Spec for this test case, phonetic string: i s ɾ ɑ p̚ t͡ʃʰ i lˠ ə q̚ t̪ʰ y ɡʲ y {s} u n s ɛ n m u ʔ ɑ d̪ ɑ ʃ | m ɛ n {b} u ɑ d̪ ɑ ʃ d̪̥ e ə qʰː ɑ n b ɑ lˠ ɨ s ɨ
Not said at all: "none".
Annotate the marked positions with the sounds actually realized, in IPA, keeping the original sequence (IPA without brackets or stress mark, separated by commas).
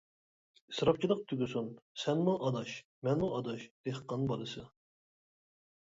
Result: s, m